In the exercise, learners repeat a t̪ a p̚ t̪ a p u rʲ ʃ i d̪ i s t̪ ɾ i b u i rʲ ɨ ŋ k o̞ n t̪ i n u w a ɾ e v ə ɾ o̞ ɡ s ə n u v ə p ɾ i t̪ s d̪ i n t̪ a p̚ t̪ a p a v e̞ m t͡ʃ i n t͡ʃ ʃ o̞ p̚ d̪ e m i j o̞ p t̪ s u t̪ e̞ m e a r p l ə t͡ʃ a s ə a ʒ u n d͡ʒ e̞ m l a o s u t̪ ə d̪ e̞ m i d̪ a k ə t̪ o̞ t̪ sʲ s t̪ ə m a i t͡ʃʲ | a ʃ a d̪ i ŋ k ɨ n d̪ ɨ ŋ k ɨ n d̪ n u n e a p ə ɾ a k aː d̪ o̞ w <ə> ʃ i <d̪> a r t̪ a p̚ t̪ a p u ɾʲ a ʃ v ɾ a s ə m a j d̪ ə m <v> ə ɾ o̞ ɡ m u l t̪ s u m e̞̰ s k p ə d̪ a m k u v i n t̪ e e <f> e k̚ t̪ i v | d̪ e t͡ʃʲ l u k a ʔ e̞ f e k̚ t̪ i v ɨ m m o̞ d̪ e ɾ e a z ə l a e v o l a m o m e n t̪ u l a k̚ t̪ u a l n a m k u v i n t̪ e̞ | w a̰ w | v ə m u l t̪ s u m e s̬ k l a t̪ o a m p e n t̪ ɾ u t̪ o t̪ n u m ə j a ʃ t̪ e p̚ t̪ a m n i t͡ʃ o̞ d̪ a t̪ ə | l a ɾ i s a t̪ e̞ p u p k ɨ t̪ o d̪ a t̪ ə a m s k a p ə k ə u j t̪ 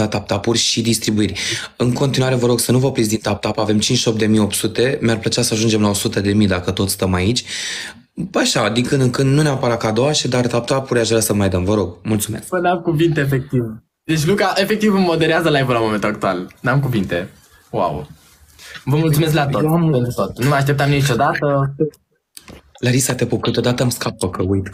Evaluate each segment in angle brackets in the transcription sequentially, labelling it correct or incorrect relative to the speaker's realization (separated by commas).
incorrect, correct, correct, correct